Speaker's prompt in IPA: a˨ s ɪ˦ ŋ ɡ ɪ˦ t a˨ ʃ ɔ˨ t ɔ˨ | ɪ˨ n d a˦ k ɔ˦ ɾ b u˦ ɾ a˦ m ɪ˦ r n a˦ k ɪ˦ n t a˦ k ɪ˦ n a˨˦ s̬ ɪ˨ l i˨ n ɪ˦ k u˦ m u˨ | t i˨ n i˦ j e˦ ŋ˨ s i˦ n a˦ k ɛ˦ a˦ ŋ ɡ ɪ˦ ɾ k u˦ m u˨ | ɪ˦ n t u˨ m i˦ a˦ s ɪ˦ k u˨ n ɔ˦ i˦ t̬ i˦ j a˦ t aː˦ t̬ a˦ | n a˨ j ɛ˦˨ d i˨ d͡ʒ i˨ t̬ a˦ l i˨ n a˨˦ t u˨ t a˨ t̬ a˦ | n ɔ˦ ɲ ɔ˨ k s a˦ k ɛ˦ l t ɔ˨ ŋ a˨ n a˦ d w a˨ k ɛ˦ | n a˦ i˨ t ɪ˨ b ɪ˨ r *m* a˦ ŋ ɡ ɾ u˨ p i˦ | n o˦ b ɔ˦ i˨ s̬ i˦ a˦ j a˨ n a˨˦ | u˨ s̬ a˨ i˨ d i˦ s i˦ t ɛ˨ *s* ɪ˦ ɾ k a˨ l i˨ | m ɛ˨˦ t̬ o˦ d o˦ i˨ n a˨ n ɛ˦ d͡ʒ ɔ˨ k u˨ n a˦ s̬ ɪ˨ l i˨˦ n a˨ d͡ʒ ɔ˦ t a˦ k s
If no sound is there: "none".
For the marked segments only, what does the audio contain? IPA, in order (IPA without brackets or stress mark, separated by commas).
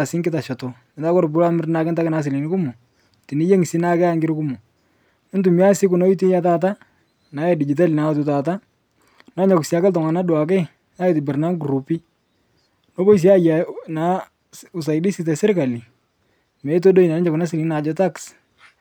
n, s